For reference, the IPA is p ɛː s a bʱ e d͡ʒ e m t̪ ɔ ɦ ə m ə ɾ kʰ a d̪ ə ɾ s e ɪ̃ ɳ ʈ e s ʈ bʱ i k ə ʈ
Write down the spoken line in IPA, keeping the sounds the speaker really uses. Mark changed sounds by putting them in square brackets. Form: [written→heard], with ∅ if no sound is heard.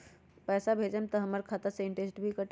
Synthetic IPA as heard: p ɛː s a bʱ e d͡ʒ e m t̪ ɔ ɦ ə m ə ɾ kʰ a [d̪→t̪] ə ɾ s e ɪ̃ ɳ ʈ e s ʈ bʱ i k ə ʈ